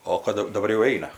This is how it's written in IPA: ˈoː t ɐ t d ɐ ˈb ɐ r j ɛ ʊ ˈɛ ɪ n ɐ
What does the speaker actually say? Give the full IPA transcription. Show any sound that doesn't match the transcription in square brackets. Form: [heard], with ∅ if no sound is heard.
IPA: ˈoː [k] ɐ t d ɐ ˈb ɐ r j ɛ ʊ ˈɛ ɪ n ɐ